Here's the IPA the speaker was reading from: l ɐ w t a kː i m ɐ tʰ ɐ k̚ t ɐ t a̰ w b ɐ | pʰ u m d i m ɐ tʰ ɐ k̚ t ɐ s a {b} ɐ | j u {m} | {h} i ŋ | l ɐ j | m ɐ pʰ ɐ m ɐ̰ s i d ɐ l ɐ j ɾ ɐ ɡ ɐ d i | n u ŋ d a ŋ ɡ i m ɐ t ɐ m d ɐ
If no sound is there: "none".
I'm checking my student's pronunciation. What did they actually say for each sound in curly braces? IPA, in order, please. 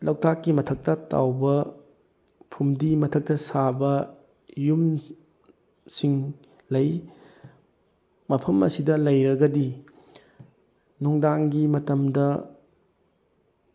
b, m, s

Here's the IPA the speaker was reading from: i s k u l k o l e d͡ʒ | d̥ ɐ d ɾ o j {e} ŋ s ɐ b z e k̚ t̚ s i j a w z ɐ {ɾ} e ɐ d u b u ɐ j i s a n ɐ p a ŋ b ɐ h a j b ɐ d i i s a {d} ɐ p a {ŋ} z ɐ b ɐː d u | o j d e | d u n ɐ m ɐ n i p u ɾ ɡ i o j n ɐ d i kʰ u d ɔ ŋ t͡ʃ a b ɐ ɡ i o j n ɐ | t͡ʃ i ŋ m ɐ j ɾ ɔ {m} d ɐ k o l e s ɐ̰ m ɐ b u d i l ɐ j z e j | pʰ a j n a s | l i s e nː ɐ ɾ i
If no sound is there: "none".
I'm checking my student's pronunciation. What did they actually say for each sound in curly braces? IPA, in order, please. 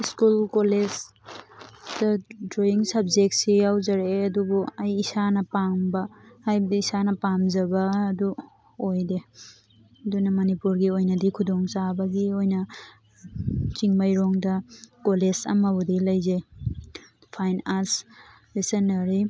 i, ɾ, n, m, ŋ

